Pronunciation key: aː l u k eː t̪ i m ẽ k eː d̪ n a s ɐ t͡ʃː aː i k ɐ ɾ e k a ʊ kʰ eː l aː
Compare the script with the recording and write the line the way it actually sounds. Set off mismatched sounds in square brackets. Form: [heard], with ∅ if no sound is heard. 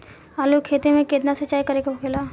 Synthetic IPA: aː l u [kʰ] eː t̪ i m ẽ k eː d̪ n a s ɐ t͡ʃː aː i k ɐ ɾ e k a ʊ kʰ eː l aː